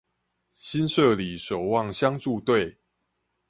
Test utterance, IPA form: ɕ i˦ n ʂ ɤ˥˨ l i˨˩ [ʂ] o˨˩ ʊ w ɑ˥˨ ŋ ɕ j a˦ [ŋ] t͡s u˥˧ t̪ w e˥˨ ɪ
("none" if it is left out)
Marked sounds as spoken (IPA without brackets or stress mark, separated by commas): ʂ, ŋ